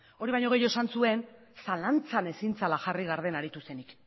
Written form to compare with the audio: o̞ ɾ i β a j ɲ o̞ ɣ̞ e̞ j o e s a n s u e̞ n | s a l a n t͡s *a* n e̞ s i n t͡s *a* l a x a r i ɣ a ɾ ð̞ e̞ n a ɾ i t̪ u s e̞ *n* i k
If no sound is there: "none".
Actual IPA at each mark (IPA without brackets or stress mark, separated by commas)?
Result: a, a, n